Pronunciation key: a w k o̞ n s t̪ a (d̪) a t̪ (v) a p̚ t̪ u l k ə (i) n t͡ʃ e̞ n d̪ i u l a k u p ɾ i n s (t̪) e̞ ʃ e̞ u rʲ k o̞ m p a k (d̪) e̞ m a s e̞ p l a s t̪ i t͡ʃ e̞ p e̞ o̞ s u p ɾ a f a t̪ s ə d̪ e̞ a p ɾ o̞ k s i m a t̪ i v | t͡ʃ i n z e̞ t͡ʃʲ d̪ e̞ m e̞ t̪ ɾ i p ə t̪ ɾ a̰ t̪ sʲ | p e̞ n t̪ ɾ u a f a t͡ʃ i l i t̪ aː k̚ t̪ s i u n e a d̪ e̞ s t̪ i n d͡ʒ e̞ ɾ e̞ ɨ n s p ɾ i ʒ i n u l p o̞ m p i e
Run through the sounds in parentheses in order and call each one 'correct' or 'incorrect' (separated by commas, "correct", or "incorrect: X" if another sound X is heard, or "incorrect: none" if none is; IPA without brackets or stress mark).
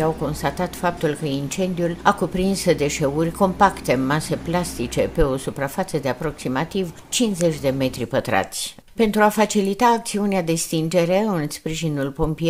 incorrect: t̪, incorrect: f, correct, incorrect: d̪, incorrect: t̪